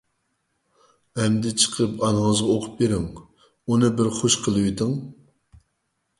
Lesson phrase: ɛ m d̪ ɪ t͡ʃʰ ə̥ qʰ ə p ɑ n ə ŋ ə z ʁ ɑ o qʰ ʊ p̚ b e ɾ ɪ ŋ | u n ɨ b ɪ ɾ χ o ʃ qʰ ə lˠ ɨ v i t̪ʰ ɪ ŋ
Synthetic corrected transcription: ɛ m d̪ ɪ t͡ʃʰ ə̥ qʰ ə p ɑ n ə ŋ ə z ʁ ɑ o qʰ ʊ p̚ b e ɾ ɪ ŋ | u n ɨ b ɪ ɾ χ o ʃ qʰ ə lˠ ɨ w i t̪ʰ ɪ ŋ